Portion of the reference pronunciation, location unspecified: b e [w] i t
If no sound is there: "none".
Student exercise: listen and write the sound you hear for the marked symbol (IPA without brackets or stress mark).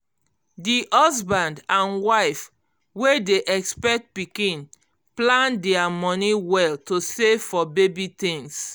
b